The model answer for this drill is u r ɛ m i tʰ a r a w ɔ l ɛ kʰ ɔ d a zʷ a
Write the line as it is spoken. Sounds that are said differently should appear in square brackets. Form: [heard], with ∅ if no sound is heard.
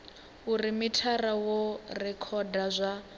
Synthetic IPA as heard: u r [i] m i tʰ a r a w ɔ [r] ɛ kʰ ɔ d a zʷ a